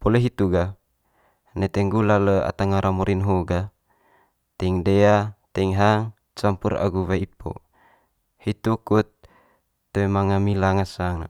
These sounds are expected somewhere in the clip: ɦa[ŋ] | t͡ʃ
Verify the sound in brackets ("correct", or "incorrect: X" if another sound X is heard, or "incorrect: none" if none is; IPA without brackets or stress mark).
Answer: correct